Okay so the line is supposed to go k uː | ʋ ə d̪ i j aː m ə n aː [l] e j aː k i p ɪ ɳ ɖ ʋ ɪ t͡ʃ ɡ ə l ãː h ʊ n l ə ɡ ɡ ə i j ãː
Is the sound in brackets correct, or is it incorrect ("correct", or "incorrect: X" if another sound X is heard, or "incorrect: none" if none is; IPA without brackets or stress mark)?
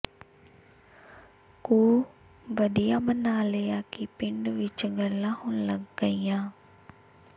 correct